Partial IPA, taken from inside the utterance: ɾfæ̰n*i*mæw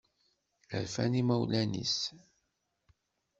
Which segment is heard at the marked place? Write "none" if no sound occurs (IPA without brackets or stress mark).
i